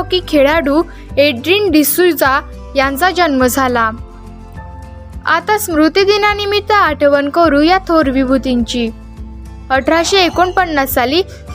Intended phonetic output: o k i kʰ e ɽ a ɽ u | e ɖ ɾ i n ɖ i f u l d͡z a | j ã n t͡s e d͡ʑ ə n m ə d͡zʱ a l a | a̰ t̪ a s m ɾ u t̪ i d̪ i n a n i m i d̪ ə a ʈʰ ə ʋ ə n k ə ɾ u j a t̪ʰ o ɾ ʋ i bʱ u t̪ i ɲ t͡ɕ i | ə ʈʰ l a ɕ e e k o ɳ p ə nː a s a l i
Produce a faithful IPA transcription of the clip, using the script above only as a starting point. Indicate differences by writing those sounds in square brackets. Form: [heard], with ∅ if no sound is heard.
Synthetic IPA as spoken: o k i kʰ e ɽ a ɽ u | e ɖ ɾ i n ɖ i [s] u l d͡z a | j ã n t͡s [a] d͡ʑ ə n m ə d͡zʱ a l a | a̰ t̪ a s m ɾ u t̪ i d̪ i n a n i m i [t̪] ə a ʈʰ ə ʋ ə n k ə ɾ u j a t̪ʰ o ɾ ʋ i bʱ u t̪ i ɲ t͡ɕ i | ə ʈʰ [ɾ] a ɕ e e k o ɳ p ə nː a s a l i